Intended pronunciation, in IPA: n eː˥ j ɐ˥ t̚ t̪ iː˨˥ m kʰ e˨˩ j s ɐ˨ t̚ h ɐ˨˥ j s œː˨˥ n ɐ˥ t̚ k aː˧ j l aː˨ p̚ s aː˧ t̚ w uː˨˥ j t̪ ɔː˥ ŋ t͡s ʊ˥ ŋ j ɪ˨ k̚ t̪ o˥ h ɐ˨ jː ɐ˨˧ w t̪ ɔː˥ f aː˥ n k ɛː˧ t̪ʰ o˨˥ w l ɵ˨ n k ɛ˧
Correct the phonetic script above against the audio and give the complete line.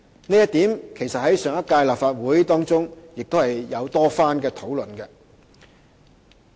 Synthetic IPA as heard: n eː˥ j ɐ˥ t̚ t̪ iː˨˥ m kʰ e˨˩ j s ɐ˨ t̚ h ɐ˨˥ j s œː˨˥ ŋ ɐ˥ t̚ k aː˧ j l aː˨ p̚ f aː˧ t̚ w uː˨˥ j t̪ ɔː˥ ŋ t͡s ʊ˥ ŋ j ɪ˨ k̚ t̪ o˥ h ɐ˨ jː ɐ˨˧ w t̪ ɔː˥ f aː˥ n k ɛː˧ t̪ʰ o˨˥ w l ɵ˨ n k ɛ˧